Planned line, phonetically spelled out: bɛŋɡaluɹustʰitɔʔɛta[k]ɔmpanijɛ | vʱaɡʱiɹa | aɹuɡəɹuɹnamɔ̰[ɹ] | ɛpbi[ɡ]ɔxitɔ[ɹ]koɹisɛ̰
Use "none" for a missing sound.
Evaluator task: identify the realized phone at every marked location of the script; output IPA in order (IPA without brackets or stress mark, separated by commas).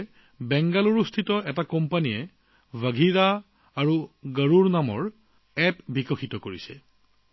k, ɹ, k, none